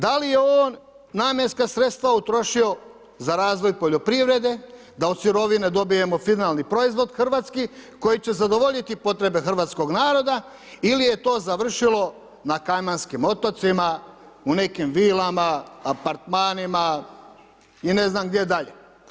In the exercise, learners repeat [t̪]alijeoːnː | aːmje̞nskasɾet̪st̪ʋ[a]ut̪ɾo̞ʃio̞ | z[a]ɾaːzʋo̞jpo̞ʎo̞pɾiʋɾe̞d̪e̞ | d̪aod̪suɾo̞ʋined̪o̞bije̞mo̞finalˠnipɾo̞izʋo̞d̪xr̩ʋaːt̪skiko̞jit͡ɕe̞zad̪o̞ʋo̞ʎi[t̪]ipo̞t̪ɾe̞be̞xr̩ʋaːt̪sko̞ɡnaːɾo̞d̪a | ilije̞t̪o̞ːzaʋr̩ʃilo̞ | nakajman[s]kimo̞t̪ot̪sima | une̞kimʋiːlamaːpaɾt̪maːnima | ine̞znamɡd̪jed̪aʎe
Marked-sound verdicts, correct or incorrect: incorrect: d̪, correct, correct, correct, correct

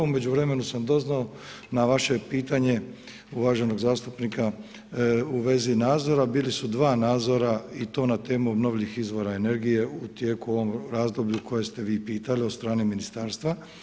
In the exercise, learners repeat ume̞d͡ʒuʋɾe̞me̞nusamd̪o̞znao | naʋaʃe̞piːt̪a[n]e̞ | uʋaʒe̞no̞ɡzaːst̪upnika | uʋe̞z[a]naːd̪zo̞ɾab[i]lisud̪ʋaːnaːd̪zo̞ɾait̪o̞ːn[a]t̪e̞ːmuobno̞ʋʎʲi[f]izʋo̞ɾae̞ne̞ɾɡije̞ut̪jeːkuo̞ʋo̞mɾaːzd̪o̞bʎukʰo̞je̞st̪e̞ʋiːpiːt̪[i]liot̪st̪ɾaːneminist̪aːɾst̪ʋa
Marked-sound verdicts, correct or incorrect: incorrect: ɲ, incorrect: i, incorrect: iː, correct, incorrect: x, incorrect: a

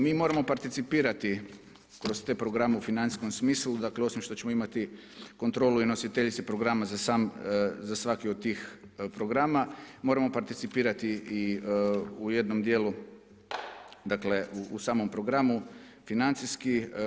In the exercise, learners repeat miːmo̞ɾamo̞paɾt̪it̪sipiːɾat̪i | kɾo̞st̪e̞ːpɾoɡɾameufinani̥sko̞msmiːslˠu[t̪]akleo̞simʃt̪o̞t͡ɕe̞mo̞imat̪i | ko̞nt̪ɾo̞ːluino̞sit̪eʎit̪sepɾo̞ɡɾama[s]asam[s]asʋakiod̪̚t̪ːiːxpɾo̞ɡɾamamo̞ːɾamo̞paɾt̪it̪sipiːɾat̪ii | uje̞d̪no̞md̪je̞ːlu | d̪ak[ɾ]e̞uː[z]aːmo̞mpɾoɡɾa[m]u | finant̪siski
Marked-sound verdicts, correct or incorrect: incorrect: d̪, incorrect: z, incorrect: z, incorrect: l, incorrect: s, correct

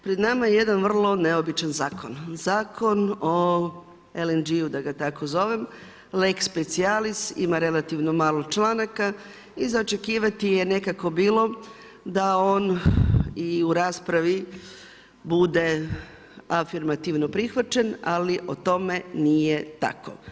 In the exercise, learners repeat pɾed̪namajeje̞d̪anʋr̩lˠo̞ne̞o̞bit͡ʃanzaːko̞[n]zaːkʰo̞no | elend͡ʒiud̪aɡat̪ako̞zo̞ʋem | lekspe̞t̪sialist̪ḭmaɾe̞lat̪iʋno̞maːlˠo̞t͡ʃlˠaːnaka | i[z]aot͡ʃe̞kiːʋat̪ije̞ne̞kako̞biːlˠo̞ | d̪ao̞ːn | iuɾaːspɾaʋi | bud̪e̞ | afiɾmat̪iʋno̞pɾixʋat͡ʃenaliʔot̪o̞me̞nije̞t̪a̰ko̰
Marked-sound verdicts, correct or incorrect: correct, correct

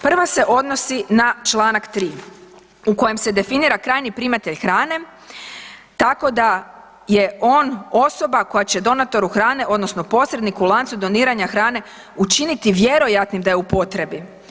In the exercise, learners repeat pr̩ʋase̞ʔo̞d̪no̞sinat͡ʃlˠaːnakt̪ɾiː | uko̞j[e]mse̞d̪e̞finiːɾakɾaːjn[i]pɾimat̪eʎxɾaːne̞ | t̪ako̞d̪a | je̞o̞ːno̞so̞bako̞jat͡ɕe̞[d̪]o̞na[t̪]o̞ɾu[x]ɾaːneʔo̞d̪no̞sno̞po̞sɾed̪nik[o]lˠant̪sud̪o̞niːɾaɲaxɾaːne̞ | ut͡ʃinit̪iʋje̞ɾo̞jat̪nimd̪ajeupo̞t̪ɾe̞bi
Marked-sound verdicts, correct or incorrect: correct, correct, correct, correct, correct, incorrect: u

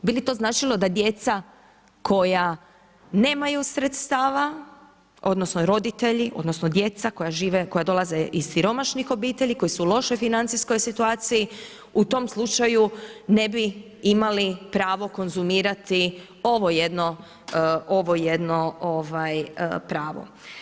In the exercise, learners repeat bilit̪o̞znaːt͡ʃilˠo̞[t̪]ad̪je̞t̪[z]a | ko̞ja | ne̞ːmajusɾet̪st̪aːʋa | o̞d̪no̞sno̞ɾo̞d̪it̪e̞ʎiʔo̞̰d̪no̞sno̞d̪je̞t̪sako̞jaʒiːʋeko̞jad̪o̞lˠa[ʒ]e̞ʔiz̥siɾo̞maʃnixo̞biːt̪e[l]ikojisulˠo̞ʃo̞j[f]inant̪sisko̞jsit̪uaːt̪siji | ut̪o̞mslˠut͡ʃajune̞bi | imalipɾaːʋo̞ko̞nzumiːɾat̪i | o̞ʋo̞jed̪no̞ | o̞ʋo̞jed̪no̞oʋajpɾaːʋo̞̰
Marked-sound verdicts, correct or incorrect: incorrect: d̪, incorrect: s, incorrect: z, incorrect: ʎ, correct

